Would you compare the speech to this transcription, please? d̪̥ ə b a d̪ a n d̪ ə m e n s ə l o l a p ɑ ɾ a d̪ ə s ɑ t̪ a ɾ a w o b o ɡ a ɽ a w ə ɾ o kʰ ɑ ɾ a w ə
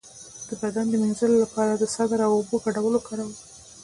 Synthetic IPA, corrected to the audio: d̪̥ ə b a d̪ a n d̪ ə m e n z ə l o l a p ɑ ɾ a d̪ ə s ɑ d̪ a ɾ a w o b o ɡ a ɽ a w ə l o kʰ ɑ ɾ a w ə